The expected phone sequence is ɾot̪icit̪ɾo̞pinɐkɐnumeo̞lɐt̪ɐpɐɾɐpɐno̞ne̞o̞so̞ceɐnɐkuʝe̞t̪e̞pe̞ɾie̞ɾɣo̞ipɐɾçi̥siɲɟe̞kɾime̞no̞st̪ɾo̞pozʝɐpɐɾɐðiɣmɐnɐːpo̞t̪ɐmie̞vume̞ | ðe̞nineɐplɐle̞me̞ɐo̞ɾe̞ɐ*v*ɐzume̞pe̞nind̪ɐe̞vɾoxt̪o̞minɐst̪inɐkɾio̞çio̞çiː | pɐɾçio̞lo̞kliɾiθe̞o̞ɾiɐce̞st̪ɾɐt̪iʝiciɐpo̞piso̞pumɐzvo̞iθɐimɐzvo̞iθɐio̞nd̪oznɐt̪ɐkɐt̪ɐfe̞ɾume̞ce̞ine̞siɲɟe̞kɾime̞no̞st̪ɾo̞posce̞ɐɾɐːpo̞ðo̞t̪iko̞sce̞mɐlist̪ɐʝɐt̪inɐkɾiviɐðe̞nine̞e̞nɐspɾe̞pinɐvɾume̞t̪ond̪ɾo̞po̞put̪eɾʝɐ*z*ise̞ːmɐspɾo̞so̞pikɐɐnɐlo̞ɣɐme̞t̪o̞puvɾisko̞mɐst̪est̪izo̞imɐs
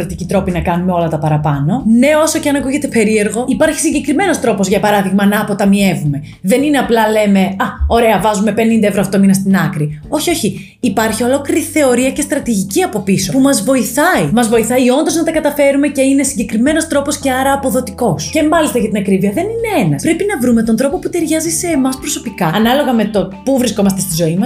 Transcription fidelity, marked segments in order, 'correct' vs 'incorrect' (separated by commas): correct, correct